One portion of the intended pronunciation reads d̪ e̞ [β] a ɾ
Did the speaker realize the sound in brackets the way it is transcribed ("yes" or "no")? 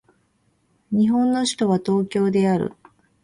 no